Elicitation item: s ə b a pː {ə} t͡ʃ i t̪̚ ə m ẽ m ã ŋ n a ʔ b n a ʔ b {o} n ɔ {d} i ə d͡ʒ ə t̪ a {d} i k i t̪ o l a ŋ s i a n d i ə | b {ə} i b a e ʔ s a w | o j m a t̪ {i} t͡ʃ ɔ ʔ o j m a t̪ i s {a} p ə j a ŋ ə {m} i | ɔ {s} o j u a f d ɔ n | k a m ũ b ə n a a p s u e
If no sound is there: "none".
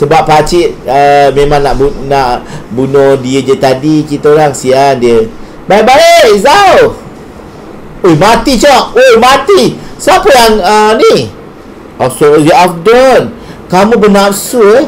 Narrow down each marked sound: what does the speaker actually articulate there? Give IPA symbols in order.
a, u, d, d, a, i, a, n, s

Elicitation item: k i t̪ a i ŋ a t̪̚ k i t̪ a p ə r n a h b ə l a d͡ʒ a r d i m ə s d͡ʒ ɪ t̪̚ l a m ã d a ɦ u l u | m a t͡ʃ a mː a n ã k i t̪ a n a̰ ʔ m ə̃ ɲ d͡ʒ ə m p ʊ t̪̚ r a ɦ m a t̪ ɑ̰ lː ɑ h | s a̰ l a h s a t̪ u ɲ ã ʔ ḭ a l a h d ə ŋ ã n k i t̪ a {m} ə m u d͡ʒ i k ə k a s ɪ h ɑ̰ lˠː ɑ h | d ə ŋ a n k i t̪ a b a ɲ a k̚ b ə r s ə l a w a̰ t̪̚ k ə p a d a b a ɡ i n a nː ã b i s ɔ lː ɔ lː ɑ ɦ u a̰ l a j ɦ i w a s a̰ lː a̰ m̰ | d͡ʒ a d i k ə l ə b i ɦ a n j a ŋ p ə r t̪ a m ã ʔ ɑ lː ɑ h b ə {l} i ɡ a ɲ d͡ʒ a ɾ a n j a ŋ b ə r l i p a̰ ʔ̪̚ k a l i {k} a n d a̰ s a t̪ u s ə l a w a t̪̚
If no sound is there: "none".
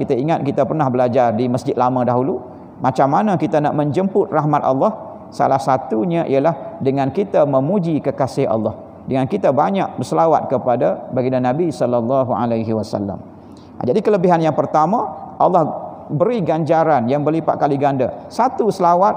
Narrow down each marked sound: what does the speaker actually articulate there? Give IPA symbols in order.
m, ɾ, ɡ

